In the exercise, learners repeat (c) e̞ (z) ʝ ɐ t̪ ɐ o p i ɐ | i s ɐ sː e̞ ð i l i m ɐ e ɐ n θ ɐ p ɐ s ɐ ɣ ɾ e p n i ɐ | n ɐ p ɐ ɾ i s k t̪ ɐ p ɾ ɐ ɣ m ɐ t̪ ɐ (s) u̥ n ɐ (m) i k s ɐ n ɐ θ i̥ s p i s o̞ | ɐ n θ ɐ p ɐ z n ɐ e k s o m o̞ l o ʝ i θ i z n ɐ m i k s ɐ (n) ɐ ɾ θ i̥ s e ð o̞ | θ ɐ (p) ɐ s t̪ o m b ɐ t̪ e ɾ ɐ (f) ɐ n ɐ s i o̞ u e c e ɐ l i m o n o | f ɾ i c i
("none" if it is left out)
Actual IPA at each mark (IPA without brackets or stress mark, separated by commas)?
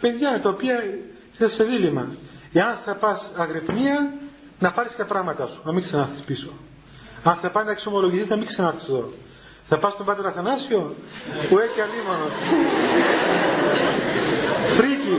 p, ð, s, m, n, p, θ